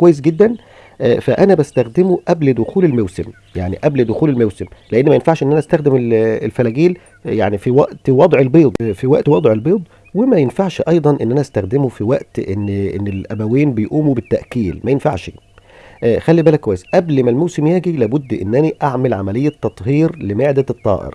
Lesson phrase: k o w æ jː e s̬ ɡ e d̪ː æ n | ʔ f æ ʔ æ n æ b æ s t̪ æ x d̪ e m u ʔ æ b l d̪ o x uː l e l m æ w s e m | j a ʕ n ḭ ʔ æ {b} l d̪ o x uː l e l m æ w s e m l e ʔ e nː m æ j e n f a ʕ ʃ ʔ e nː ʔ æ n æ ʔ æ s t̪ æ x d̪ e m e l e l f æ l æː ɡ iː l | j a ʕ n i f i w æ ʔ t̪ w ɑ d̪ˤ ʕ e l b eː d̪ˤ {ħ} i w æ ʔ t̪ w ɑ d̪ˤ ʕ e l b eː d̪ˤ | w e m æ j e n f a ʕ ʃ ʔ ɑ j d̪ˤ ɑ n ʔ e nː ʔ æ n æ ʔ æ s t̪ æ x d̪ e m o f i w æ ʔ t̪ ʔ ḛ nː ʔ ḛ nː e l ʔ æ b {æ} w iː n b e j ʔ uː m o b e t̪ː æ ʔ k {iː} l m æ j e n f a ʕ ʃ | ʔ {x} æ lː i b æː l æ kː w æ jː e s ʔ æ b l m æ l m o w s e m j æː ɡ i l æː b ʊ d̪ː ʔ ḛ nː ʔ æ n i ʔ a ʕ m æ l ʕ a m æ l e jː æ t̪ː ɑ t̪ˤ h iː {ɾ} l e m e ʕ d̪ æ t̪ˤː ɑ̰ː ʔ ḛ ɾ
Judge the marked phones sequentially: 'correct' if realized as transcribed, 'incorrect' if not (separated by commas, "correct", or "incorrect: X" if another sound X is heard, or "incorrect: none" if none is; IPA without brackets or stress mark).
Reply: correct, incorrect: f, correct, correct, correct, correct